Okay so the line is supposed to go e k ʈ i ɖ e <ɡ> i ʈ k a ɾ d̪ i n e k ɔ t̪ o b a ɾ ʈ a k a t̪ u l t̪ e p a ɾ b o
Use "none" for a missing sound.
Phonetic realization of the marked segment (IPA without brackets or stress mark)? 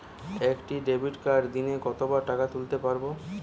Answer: b